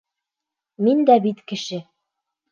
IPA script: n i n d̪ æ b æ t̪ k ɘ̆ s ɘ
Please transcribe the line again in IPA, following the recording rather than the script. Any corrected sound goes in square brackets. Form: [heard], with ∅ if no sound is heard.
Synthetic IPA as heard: [m] i n d̪ æ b [i] t̪ k ɘ̆ [ʃ] ɘ